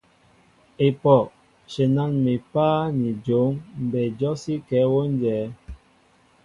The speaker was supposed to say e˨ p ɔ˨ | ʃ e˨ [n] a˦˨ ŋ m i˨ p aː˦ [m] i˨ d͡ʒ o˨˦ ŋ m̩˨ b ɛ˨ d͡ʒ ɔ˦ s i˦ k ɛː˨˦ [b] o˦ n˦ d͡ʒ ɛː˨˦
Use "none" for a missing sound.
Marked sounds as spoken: n, n, w

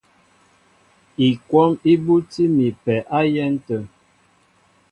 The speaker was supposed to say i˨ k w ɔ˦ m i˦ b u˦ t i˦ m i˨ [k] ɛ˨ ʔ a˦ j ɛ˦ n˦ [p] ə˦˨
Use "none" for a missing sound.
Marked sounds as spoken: p, t

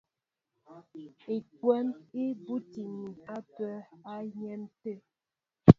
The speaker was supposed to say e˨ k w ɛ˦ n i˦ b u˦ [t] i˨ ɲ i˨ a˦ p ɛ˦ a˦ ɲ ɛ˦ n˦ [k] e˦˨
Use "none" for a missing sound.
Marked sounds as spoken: t, t

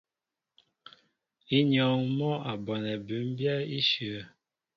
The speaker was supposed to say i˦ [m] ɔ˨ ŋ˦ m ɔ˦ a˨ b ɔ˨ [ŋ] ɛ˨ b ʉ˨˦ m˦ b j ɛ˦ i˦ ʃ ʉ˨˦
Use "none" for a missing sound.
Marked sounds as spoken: ɲ, n

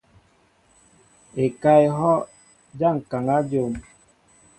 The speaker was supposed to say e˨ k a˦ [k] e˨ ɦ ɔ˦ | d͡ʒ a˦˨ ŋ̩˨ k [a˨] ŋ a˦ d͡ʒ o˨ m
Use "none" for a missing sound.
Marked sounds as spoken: none, a˨

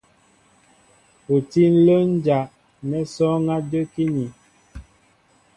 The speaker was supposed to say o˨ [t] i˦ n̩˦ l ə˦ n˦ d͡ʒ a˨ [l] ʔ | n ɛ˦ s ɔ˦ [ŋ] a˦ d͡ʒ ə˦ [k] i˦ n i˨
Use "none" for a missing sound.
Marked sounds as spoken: t, none, ŋ, k

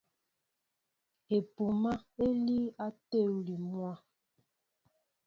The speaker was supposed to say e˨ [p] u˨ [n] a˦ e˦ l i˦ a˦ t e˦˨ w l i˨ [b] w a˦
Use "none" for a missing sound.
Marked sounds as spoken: p, m, m

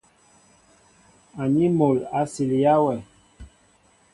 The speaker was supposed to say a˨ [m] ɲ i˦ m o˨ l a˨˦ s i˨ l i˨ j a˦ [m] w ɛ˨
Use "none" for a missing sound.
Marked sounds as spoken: none, none

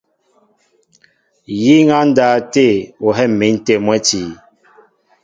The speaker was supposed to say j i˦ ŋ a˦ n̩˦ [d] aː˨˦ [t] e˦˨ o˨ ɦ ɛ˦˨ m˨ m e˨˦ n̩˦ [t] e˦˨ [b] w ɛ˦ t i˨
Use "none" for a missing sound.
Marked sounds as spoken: d, t, t, m

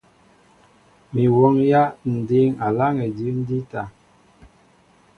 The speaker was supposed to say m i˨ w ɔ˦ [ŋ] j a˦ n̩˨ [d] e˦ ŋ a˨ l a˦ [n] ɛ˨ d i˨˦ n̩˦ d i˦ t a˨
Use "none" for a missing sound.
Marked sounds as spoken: ŋ, d, ŋ

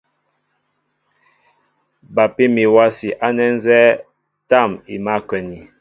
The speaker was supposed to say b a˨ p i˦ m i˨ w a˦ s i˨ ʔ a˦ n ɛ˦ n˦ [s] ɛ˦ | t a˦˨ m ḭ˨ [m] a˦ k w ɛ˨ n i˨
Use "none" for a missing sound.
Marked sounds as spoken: z, m

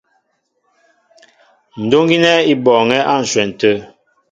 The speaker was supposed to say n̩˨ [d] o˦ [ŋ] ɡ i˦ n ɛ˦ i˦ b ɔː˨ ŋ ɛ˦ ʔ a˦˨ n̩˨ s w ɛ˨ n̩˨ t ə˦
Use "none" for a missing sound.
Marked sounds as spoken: d, ŋ

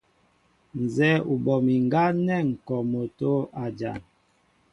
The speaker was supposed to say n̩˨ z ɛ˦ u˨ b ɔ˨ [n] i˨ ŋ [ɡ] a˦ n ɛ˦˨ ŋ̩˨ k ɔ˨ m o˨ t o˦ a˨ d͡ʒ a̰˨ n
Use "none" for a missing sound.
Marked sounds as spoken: m, ɡ

